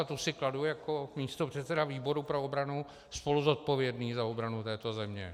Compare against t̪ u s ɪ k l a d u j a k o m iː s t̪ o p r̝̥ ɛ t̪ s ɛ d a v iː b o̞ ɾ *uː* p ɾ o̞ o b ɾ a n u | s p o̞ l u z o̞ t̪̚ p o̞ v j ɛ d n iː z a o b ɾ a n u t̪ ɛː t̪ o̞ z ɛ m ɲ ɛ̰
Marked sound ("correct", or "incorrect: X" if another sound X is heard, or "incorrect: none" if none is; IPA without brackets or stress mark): incorrect: u